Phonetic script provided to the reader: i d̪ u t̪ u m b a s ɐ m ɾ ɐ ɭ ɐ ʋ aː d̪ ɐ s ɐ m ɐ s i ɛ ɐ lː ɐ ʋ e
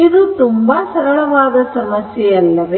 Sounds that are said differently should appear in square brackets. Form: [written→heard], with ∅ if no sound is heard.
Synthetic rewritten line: i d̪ u t̪ u m b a s ɐ [m→∅] ɾ ɐ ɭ ɐ ʋ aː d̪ ɐ s ɐ m ɐ s [i→j] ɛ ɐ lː ɐ ʋ e